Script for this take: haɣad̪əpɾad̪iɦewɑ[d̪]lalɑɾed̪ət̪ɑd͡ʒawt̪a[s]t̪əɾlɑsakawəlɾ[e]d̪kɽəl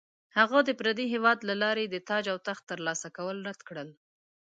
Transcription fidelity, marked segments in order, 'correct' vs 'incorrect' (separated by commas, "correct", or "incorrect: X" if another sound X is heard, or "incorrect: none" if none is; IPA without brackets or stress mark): correct, incorrect: x, incorrect: a